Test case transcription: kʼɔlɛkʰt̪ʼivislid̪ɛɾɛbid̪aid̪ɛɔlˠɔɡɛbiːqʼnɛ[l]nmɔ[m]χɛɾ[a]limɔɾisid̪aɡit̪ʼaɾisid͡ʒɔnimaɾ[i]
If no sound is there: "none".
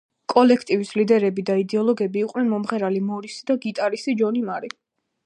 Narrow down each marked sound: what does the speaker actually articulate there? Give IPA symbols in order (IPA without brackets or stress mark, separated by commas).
none, m, a, i